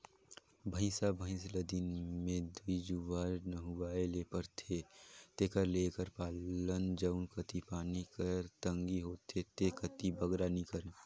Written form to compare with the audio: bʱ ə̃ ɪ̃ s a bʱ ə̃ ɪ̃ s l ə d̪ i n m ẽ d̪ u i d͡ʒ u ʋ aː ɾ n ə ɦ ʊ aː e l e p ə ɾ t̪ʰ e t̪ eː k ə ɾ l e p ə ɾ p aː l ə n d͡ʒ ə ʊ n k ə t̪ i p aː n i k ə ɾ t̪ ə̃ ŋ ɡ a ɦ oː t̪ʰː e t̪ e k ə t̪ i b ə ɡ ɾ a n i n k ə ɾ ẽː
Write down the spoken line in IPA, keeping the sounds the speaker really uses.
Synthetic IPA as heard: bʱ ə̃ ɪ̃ s a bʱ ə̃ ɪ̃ s l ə d̪ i n m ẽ d̪ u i d͡ʒ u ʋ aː ɾ n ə ɦ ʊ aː e l e p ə ɾ t̪ʰ e t̪ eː k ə ɾ l e k ə ɾ p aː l ə n d͡ʒ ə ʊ n k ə t̪ i p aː n i k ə ɾ t̪ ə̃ ŋ ɡ i ɦ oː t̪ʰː e t̪ e k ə t̪ i b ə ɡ ɾ a n i k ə ɾ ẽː